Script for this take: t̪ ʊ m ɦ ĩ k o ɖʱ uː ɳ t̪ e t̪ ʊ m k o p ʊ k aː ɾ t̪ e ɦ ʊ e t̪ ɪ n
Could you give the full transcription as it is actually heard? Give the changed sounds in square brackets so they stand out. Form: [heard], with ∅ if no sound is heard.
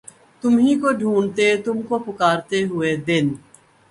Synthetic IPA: t̪ ʊ m ɦ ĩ k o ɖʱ uː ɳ t̪ e t̪ ʊ m k o p ʊ k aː ɾ t̪ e ɦ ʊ e [d̪] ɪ n